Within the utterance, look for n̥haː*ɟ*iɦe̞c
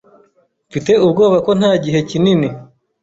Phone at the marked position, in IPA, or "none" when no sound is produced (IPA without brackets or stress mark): ɟ